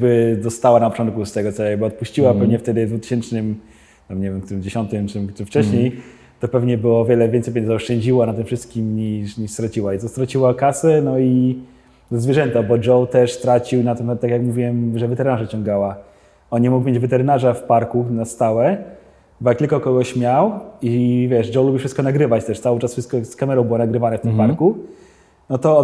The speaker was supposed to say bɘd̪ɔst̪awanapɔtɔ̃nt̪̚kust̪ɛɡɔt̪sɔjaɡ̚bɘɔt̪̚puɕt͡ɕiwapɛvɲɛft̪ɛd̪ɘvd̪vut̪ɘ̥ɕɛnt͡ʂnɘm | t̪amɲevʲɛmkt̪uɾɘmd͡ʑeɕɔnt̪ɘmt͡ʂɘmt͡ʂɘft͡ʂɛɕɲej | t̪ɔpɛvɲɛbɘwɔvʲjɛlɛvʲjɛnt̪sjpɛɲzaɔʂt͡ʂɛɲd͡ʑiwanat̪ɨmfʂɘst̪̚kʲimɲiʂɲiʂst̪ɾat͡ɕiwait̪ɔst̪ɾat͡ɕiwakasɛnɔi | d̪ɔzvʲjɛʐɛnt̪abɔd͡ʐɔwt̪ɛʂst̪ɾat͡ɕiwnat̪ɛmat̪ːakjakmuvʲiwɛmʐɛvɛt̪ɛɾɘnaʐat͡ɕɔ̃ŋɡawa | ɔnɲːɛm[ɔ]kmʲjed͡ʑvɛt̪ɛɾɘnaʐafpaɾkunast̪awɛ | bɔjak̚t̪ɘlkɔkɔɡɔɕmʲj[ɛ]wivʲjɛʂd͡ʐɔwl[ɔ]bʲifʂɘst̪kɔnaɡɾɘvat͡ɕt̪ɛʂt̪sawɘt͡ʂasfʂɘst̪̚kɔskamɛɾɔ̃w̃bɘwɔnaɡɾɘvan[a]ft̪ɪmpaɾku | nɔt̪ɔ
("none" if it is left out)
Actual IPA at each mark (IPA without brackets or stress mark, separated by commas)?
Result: u, a, u, ɛ